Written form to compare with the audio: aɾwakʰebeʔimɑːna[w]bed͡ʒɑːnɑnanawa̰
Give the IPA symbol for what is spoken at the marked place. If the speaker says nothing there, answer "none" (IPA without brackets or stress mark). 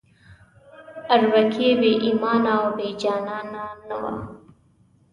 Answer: w